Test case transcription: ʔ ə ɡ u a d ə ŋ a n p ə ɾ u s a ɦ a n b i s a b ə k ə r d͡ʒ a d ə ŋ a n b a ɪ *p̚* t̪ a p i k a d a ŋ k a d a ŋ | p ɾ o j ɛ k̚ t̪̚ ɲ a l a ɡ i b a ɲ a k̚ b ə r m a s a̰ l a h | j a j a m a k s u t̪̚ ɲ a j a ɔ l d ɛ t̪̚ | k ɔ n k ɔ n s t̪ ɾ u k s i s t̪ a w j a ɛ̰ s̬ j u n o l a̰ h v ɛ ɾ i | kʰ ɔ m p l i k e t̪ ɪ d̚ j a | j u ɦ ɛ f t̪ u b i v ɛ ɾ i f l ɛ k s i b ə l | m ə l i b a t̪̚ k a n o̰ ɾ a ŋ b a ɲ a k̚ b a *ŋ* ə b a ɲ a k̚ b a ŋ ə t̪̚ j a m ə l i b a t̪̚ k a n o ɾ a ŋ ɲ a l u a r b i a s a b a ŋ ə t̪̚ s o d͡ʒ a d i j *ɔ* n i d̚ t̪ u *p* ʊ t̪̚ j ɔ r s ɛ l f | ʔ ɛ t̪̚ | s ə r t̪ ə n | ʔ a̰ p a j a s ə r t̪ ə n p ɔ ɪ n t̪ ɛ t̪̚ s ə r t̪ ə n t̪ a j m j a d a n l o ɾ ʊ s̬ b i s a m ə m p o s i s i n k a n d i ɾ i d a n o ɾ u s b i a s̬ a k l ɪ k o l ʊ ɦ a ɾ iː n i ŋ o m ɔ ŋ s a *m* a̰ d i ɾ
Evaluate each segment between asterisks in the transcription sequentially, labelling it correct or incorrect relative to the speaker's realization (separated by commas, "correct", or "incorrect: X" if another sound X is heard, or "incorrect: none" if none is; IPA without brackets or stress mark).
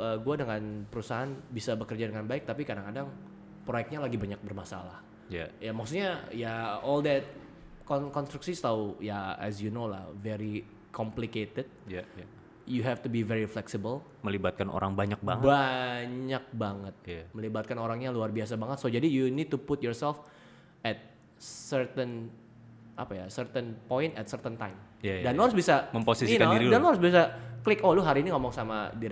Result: incorrect: k̚, correct, incorrect: u, correct, correct